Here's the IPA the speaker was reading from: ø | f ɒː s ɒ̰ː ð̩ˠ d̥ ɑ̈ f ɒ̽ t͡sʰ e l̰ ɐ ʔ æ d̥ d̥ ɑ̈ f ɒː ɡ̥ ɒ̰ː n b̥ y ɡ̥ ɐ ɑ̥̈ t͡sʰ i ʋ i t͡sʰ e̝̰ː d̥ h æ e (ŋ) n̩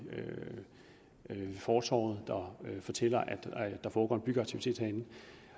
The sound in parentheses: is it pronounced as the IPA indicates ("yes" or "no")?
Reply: no